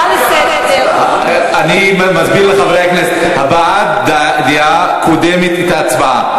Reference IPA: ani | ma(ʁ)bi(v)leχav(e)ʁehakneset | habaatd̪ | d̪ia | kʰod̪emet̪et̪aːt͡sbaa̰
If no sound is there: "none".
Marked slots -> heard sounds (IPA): z, ʁ, e

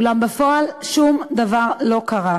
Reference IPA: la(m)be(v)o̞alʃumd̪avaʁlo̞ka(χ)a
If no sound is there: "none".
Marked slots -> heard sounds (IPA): m, f, ʁ

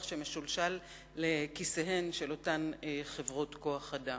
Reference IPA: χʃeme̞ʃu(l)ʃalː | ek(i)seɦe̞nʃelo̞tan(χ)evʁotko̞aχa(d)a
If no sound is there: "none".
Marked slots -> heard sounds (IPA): l, i, χ, d

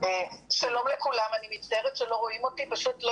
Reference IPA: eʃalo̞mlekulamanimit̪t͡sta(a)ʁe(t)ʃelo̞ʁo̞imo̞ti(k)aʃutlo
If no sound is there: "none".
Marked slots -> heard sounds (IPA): e, t, p

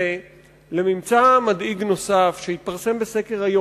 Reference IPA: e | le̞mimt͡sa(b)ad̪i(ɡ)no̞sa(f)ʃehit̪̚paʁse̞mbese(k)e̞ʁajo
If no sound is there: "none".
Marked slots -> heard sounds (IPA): m, ɡ, f, k

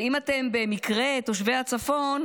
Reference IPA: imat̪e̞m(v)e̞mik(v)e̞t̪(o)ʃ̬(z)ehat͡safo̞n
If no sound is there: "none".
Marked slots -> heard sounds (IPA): b, ʁ, o, v

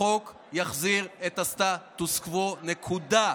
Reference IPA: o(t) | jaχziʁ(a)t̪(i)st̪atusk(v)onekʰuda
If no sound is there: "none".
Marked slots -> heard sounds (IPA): k, e, a, v

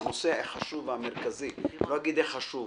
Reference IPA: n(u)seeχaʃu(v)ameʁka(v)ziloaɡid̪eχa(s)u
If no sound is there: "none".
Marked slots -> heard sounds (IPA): o, v, none, ʃ

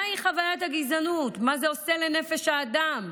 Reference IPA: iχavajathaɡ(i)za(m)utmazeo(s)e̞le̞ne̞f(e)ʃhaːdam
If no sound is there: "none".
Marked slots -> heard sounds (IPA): i, n, s, e

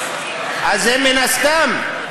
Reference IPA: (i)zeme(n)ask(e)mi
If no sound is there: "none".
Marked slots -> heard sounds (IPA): a, n, a

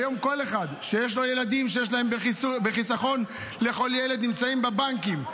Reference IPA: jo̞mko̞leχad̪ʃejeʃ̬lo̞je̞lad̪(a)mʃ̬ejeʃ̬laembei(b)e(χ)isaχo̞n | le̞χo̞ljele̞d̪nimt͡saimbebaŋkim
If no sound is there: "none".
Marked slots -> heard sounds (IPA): i, b, χ

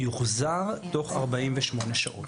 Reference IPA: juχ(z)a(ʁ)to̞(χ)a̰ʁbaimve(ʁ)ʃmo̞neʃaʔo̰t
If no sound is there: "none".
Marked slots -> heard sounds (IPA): z, ʁ, χ, none

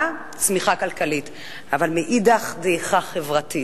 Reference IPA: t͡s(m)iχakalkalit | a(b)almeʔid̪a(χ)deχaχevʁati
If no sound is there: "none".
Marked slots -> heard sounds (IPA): m, v, χ

